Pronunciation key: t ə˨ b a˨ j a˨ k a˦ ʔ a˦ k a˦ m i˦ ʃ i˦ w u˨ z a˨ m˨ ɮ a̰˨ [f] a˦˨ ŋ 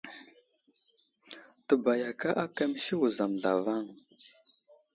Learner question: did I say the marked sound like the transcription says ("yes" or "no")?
no